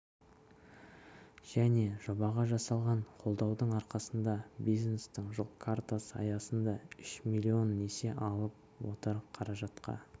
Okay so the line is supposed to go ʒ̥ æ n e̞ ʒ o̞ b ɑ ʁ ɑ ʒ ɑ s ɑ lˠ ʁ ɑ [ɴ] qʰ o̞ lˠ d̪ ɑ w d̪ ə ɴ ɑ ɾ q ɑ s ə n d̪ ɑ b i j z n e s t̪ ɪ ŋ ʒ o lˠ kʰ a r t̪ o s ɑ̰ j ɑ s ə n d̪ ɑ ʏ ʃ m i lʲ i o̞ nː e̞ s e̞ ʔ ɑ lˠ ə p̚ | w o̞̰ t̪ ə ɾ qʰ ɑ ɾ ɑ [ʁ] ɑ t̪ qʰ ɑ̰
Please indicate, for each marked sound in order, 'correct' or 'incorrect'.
correct, incorrect: ʒ

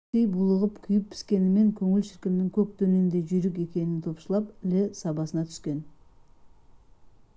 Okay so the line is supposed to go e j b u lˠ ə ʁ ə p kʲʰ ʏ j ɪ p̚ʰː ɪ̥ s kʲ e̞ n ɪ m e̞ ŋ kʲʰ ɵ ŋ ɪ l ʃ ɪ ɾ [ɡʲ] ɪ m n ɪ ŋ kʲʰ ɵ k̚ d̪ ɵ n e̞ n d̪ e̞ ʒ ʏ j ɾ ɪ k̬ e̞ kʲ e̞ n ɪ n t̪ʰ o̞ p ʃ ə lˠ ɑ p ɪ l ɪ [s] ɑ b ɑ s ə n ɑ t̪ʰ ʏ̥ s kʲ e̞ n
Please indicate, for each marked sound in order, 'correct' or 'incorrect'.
incorrect: kʲ, correct

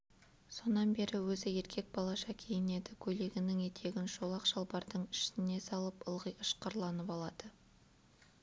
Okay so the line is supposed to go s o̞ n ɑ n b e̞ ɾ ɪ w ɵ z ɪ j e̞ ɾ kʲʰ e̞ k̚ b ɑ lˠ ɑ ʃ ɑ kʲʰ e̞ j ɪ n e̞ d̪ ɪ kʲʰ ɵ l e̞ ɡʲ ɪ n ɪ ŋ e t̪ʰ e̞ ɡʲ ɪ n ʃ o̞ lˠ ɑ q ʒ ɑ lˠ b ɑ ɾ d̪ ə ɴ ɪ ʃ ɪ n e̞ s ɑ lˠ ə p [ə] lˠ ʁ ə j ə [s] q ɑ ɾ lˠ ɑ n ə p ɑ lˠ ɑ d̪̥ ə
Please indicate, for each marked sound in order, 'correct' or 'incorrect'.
correct, incorrect: ʃ

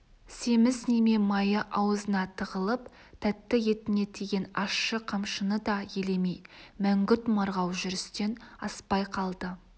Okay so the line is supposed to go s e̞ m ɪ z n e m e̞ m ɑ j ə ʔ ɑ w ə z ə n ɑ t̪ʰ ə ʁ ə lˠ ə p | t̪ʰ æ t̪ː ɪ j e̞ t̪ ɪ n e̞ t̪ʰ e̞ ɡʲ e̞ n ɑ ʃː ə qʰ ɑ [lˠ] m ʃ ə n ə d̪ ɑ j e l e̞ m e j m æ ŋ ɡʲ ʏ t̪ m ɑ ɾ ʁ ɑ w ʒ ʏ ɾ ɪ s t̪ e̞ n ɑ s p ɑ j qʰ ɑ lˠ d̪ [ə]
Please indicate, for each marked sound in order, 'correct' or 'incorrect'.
incorrect: none, correct

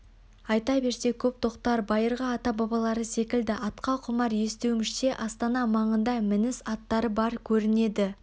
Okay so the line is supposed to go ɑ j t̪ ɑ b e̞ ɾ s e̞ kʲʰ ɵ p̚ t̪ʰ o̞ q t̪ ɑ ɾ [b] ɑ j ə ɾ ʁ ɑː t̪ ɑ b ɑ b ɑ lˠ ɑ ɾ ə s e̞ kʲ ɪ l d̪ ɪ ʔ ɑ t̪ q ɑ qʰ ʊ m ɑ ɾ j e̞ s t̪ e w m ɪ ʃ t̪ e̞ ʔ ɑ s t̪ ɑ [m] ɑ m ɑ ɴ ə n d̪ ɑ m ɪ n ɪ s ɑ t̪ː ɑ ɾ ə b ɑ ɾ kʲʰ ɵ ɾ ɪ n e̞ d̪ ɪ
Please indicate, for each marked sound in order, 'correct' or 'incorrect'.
correct, incorrect: n

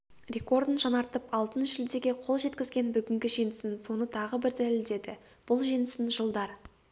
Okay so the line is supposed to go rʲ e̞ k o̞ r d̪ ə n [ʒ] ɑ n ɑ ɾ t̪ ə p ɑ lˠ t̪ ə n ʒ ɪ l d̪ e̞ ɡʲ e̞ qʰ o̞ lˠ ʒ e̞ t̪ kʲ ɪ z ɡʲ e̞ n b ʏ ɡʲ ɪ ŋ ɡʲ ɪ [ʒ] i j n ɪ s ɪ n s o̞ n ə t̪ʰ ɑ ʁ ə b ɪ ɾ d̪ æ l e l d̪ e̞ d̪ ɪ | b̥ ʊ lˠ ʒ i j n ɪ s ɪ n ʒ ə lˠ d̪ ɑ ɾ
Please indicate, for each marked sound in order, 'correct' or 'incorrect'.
correct, correct

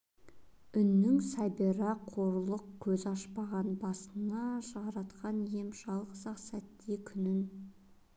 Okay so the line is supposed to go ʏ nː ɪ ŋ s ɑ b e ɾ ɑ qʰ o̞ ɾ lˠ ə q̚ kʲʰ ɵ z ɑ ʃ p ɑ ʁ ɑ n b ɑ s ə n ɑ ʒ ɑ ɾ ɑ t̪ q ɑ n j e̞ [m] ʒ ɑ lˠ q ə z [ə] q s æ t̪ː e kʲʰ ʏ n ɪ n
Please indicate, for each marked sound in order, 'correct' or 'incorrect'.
correct, incorrect: ɑ

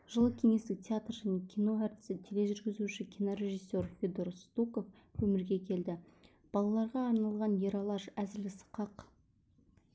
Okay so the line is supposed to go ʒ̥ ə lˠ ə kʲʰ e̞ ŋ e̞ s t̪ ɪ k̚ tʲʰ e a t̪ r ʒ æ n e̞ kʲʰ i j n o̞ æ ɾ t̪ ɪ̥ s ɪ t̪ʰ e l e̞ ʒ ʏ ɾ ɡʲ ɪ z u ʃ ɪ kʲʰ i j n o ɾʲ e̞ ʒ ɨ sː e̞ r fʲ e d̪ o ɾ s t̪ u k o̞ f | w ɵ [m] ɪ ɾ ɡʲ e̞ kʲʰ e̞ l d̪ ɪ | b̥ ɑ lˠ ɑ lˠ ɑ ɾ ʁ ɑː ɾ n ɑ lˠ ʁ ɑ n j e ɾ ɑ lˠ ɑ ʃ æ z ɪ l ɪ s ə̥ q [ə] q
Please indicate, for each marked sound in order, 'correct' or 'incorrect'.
correct, incorrect: ɑ

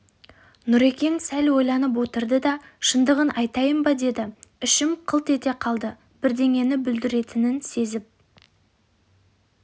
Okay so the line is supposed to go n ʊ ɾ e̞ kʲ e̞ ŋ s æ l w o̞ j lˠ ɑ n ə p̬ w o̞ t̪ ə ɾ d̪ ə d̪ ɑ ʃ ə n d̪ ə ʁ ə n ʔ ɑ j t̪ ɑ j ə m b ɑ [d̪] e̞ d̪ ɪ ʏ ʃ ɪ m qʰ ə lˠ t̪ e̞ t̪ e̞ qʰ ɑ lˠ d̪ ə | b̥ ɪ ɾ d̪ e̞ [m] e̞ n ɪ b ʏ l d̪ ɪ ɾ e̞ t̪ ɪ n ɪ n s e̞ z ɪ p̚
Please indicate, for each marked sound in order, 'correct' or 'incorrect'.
correct, incorrect: ŋ

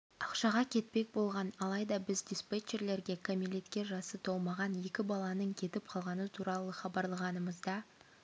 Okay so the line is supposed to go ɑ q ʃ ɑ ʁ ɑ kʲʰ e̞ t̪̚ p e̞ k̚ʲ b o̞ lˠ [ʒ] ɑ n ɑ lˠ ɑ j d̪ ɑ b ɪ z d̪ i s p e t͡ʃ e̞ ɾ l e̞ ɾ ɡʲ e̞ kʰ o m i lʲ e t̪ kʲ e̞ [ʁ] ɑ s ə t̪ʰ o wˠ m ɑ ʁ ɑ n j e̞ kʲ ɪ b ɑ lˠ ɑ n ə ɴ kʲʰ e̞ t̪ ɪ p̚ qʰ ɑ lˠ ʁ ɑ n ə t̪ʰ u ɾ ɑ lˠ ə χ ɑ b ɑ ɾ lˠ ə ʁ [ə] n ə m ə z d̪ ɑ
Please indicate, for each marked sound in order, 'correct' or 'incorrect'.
incorrect: ʁ, incorrect: ʒ, incorrect: ɑ

